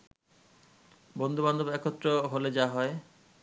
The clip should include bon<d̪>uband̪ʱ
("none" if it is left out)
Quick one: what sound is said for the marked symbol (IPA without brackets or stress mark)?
d̪